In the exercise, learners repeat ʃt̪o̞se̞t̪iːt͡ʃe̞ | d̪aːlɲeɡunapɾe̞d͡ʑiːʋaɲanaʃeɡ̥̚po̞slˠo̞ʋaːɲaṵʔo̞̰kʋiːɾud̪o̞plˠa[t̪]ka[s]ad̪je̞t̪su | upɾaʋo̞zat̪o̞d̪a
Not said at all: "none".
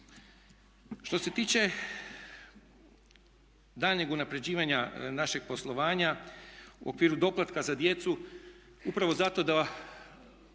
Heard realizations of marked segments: t̪, z

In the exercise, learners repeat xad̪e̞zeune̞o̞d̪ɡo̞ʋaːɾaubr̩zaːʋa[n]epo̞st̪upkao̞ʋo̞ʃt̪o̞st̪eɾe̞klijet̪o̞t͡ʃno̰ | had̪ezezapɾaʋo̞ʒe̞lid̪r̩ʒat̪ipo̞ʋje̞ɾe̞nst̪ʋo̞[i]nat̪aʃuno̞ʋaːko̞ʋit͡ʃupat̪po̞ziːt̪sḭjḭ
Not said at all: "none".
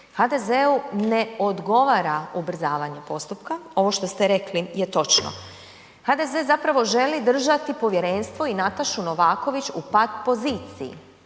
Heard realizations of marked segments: ɲ, i

